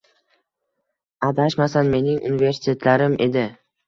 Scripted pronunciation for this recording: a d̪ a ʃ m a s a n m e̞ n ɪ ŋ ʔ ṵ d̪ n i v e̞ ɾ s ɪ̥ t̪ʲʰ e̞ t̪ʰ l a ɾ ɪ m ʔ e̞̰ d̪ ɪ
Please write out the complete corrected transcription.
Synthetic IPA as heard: a d̪ a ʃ m a s a n m e̞ n ɪ ŋ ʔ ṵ n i v e̞ ɾ s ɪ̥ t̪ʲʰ e̞ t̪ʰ l a ɾ ɪ m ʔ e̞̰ d̪ ɪ

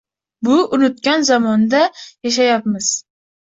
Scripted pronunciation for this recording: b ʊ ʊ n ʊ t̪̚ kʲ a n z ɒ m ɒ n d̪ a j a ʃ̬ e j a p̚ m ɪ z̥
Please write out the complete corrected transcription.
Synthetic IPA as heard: b ʊ ʊ n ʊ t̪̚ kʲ a n z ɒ m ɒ n d̪ a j a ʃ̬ a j a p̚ m ɪ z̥

